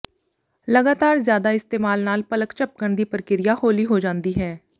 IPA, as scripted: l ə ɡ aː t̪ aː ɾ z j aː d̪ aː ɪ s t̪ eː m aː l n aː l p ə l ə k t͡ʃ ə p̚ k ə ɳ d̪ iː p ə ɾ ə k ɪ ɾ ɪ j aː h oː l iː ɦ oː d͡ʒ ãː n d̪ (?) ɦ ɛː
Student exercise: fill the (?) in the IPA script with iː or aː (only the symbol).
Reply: iː